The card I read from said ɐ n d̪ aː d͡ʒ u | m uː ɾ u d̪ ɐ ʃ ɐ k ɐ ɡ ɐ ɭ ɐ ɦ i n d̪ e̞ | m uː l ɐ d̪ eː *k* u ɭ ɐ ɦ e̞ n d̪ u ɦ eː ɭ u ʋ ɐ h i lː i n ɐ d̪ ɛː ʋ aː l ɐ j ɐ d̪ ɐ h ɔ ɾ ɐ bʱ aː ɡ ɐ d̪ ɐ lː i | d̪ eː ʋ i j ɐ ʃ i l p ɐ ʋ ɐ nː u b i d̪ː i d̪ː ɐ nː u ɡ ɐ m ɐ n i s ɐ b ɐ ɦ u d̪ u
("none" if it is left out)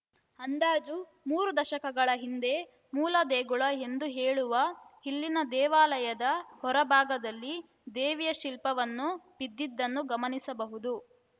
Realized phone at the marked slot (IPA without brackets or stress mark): ɡ